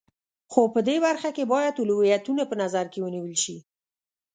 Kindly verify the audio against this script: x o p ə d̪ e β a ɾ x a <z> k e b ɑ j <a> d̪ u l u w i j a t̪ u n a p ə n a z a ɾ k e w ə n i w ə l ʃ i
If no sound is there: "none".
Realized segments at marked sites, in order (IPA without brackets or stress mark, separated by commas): none, a